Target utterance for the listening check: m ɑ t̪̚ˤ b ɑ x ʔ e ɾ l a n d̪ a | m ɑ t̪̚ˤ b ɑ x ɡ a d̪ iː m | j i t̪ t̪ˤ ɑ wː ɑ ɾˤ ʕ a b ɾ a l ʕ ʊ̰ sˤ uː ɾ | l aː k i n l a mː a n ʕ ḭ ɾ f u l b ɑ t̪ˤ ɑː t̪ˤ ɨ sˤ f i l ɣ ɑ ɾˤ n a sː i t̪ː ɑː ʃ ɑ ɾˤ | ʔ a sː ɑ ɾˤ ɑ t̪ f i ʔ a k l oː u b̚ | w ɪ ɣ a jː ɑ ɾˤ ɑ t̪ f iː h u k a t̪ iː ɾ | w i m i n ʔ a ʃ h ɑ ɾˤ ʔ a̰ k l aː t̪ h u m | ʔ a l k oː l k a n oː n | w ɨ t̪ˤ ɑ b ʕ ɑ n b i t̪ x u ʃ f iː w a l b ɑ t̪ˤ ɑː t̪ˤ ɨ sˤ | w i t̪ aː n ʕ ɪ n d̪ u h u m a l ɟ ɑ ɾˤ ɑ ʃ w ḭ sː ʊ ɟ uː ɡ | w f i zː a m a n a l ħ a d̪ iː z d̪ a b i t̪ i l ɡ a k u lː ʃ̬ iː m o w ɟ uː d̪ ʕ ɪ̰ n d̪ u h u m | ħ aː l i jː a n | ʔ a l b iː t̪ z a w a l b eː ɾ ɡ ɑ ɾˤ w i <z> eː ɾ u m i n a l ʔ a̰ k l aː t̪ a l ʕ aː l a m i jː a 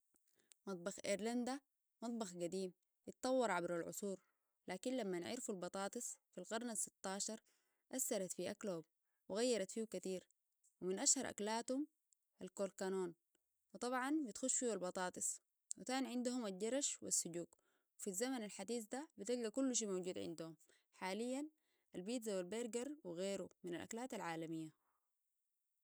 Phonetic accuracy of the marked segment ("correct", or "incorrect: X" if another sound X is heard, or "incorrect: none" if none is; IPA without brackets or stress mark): incorrect: ɣ